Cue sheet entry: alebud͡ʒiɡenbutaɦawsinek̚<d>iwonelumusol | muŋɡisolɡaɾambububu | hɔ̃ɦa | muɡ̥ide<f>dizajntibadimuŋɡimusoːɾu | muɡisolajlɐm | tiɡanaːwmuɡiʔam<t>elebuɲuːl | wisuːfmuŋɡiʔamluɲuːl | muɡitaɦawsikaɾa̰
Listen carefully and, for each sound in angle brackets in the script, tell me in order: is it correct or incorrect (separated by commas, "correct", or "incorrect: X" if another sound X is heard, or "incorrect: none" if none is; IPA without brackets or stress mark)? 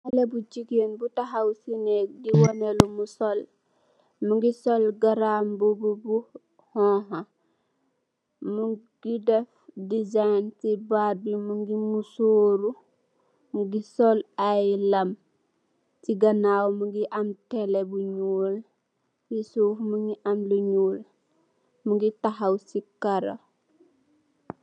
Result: correct, correct, correct